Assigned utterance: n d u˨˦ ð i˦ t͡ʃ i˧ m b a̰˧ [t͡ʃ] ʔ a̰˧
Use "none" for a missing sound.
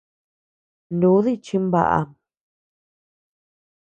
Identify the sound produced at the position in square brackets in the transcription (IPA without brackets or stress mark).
none